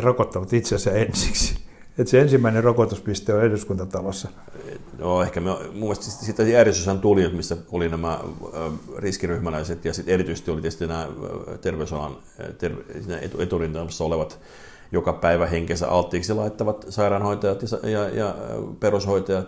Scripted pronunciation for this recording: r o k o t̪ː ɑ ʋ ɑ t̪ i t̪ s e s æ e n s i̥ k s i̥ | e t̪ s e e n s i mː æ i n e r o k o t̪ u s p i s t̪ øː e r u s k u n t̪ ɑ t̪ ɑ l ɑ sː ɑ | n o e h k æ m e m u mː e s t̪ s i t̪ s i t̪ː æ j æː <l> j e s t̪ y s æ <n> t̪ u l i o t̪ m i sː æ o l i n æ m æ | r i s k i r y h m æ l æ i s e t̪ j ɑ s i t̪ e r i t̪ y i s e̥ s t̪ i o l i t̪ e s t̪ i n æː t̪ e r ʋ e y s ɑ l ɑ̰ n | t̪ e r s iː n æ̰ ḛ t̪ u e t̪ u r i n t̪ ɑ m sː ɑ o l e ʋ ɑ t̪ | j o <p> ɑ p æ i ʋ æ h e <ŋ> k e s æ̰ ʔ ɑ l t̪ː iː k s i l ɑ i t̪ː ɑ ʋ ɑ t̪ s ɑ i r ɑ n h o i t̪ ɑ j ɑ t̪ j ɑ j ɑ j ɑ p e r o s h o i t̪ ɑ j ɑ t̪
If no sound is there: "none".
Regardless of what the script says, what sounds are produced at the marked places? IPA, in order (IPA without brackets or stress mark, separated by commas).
r, n, k, ŋ